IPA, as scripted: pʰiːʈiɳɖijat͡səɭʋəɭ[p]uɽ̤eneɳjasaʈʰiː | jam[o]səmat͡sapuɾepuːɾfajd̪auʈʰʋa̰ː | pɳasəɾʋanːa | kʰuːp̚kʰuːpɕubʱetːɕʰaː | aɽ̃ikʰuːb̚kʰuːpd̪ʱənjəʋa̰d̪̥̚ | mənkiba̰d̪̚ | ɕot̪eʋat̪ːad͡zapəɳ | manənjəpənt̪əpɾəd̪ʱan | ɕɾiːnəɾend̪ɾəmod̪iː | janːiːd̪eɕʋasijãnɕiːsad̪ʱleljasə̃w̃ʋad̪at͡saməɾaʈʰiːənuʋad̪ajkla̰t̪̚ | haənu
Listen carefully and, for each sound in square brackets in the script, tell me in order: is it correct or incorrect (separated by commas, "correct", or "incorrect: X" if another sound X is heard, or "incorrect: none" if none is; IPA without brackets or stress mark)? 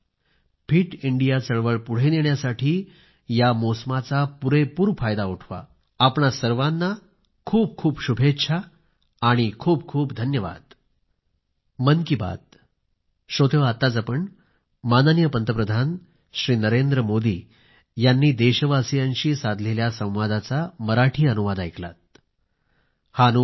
correct, correct